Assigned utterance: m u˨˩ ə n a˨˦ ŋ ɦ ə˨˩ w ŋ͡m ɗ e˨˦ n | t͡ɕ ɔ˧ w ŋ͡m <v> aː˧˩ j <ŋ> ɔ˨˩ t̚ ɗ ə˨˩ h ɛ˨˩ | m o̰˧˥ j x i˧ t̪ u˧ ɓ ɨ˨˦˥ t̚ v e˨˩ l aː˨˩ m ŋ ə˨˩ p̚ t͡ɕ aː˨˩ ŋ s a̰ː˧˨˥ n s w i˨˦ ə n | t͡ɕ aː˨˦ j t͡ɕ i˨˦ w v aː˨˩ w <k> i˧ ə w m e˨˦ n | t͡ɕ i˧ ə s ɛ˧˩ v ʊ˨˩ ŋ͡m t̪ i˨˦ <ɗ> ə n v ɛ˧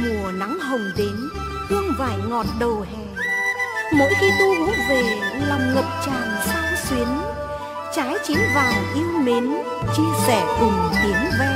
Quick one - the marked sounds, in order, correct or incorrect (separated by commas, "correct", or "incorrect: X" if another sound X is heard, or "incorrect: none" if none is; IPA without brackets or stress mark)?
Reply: correct, correct, incorrect: ʔ, incorrect: none